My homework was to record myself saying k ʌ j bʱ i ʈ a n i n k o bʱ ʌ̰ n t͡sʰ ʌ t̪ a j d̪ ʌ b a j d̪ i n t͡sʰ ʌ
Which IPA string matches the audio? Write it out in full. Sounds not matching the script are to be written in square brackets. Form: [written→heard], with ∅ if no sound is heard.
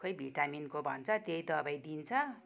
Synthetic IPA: k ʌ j bʱ i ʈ a [n→m] i n k o bʱ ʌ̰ n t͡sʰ ʌ t̪ [a→e] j d̪ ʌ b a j d̪ i n t͡sʰ ʌ

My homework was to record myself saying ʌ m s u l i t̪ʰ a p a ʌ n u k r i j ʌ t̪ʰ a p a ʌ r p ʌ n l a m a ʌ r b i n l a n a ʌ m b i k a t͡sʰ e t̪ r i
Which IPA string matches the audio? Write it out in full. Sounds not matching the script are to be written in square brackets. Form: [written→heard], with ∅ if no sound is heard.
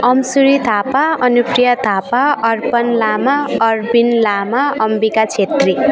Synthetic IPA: ʌ m s u [l→ɾ] i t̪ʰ a p a ʌ n u [k→p] r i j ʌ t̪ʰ a p a ʌ r p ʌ n l a m a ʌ r b i n l a [n→m] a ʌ m b i k a t͡sʰ e t̪ r i

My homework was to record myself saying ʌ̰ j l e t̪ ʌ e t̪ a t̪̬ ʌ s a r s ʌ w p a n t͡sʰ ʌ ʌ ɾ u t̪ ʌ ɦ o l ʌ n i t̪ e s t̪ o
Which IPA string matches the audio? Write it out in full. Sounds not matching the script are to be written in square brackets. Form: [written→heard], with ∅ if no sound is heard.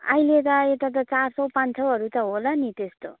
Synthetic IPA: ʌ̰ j l e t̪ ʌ e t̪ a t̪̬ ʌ [s→t͡s] a r s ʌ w p a n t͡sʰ ʌ ʌ ɾ u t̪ ʌ ɦ o l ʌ n i t̪ e s t̪ o

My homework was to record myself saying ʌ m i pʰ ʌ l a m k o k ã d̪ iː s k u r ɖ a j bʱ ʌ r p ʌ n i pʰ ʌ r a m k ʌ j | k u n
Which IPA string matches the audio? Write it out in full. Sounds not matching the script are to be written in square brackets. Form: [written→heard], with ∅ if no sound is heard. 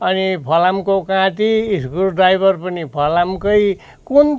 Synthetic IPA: ʌ [m→n] i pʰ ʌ l a m k o k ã [d̪→t̪] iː s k u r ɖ a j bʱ ʌ r p ʌ n i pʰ ʌ [r→l] a m k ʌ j | k u n

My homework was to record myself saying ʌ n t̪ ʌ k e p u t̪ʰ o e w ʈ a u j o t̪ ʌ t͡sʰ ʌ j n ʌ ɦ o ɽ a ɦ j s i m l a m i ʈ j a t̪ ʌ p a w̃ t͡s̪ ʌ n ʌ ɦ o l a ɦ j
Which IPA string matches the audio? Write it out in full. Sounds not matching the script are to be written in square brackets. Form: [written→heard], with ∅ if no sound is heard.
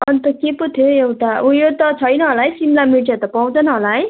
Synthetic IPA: ʌ n t̪ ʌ k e p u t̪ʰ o e w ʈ a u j o t̪ ʌ t͡sʰ ʌ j n ʌ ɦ o [ɽ→l] a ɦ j s i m l a m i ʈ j a t̪ ʌ p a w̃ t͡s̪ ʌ n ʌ ɦ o l a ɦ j

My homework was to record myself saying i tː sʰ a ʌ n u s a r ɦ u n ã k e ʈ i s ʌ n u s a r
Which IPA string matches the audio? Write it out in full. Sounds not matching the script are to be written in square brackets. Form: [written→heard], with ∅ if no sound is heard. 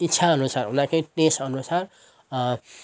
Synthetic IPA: i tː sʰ a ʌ n u s a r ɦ u n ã k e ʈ [i→e] s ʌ n u s a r

